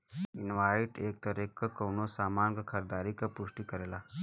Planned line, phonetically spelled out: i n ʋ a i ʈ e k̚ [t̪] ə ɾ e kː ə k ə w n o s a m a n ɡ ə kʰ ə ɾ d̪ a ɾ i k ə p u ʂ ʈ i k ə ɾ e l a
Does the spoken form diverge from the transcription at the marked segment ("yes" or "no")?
no